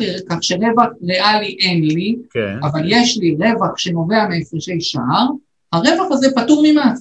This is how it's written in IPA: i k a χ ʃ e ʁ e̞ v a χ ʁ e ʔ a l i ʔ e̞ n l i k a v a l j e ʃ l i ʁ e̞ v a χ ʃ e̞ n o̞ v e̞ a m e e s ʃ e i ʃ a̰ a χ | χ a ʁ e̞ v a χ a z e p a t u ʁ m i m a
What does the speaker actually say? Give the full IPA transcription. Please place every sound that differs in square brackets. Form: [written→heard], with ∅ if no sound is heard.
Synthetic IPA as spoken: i k a χ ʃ e ʁ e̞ v a χ ʁ e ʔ a l i ʔ e̞ n l i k a v a l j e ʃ l i ʁ e̞ v a χ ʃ e̞ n o̞ v e̞ a m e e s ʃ e [i→j] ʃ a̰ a [χ→ʁ] | [χ→h] a ʁ e̞ v a χ a z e p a t u ʁ m i m a